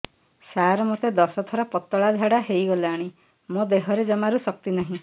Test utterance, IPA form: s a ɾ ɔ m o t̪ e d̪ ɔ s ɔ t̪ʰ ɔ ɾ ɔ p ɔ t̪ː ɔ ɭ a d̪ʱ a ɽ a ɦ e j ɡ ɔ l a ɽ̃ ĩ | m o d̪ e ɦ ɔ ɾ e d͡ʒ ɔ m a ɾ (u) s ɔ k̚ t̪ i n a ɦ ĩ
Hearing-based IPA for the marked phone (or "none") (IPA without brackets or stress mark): u